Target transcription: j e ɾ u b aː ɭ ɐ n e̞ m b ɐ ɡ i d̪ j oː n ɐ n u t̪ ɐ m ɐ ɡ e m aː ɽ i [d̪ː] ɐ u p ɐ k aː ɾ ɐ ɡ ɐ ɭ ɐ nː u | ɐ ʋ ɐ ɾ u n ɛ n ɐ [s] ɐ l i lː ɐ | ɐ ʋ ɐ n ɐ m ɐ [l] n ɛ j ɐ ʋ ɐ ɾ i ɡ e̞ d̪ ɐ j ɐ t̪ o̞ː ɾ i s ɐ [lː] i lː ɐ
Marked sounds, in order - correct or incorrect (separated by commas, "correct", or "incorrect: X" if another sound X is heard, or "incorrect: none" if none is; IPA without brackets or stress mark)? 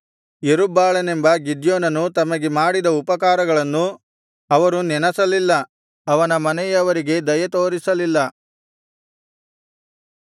incorrect: d̪, correct, incorrect: none, incorrect: l